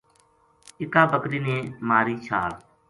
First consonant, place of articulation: velar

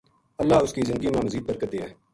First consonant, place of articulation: alveolar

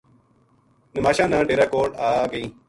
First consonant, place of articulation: alveolar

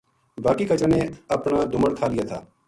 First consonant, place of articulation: labial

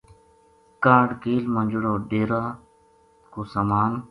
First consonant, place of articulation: velar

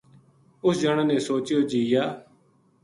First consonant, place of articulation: alveolar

